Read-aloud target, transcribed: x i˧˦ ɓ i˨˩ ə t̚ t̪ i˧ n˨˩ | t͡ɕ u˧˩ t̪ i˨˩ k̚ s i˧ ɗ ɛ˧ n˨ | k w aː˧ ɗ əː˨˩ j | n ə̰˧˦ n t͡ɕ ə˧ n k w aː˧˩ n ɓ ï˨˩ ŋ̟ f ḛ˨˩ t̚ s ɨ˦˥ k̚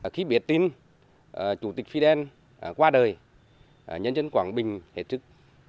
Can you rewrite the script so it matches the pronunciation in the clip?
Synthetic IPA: x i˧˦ ɓ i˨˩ ə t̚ t̪ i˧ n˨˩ | t͡ɕ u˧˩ t̪ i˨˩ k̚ f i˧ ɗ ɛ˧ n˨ | k w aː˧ ɗ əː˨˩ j | ɲ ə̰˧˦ n t͡ɕ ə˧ n k w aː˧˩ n ɓ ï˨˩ ŋ̟ h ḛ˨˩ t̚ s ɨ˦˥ k̚